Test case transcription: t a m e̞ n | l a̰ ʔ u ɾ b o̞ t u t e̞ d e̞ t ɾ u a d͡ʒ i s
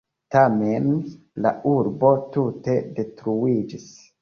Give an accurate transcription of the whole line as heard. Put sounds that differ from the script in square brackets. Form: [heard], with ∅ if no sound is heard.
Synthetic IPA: t a m e̞ n | l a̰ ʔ u ɾ b o̞ t u t e̞ d e̞ t ɾ u [i] d͡ʒ i s